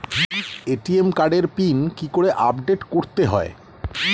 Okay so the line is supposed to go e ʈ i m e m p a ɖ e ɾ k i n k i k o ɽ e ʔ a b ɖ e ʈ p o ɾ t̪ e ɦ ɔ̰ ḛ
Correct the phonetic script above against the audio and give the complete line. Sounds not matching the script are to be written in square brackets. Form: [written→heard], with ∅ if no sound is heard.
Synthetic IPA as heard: e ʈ i [m→∅] e m [p→k] a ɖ e ɾ [k→p] i n k i k o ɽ e ʔ a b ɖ e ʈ [p→k] o ɾ t̪ e ɦ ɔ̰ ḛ